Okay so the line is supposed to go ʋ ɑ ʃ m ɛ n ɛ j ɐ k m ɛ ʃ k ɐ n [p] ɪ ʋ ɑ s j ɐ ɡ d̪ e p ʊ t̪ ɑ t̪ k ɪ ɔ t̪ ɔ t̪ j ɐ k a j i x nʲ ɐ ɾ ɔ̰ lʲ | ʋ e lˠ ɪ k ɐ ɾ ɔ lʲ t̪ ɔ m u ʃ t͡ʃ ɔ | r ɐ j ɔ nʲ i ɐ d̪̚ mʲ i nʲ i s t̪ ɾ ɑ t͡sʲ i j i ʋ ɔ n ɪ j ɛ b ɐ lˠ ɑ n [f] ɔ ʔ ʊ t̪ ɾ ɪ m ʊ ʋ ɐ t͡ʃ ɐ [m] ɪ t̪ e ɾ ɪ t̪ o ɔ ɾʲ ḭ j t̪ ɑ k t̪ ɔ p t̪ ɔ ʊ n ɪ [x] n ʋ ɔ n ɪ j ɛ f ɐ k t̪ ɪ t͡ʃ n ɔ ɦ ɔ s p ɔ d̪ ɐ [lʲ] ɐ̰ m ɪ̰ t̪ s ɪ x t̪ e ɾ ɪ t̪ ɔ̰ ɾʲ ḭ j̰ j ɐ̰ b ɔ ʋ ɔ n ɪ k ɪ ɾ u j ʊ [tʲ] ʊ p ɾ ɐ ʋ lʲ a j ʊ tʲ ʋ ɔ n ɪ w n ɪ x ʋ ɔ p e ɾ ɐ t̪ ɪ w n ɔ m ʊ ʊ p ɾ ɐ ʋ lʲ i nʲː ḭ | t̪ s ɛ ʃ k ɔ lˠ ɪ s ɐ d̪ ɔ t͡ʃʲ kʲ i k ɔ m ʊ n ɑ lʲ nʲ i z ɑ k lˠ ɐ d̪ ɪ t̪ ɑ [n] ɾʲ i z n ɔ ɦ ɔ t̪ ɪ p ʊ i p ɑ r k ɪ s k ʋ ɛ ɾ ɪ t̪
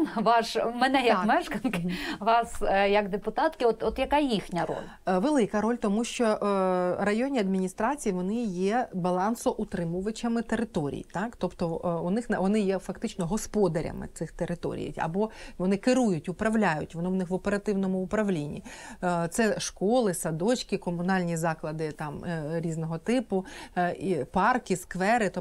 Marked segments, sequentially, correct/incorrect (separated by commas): incorrect, incorrect, correct, correct, incorrect, correct, incorrect